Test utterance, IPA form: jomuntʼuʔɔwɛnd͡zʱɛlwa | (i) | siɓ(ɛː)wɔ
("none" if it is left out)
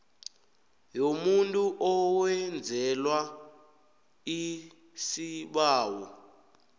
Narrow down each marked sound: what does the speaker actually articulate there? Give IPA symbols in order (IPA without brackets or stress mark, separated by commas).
i, aː